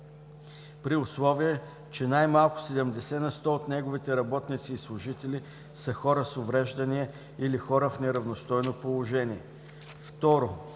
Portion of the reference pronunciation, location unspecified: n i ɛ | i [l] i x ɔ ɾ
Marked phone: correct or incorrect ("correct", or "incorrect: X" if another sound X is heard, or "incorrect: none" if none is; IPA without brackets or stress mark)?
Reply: correct